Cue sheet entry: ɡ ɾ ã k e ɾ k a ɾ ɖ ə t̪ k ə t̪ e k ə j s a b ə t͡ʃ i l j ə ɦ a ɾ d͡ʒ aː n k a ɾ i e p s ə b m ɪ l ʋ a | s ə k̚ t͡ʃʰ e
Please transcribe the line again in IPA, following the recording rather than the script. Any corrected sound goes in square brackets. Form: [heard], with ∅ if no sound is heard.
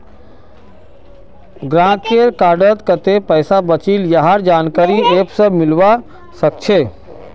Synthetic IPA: ɡ ɾ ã k e ɾ k a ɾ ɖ ə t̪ k ə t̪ e [p] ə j s a b ə t͡ʃ i l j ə ɦ a ɾ d͡ʒ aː n k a ɾ i e p s ə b m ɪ l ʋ a | s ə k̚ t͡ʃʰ e